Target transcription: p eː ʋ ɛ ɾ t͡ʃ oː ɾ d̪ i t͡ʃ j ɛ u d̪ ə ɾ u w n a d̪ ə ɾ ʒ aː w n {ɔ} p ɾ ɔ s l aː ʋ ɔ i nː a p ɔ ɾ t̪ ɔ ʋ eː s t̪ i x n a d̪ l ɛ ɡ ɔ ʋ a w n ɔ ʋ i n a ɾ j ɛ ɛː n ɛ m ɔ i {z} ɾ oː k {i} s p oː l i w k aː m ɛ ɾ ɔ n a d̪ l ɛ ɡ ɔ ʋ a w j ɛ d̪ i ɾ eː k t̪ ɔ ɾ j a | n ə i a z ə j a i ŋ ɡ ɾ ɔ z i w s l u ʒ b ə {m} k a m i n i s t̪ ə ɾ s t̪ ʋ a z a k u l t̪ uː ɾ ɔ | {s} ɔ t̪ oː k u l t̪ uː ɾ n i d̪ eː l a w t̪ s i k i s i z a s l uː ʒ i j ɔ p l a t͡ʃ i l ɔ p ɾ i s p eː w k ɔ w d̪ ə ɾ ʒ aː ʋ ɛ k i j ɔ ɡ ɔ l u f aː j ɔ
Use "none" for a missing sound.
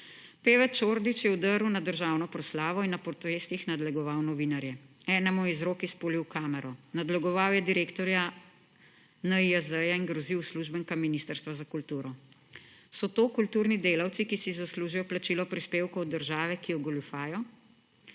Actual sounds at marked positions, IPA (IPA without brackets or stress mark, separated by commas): ɔ, z, i, ŋ, s